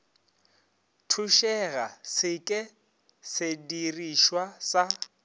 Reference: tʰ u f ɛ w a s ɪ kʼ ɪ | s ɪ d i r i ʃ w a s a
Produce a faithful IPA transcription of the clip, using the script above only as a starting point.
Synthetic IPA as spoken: tʰ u ʃ ɛ ɣ a s ɪ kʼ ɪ | s ɪ d i r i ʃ w a s a